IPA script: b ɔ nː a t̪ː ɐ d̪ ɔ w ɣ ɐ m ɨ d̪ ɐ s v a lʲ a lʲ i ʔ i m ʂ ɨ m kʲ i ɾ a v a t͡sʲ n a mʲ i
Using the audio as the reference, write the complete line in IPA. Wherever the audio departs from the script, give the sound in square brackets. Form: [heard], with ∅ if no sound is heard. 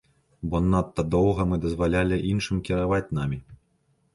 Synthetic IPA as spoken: b ɔ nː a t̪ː ɐ d̪ ɔ w ɣ ɐ m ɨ d̪ ɐ [z] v a lʲ a lʲ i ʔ i [n] ʂ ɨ m kʲ i ɾ a v a t͡sʲ n a mʲ i